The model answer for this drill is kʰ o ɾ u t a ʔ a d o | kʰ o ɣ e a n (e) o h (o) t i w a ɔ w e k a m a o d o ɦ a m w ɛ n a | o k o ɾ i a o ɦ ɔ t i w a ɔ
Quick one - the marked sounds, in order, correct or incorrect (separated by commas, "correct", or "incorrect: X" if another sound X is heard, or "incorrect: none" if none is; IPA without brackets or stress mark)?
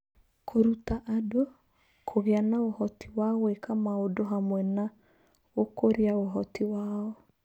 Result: incorrect: a, incorrect: ɔ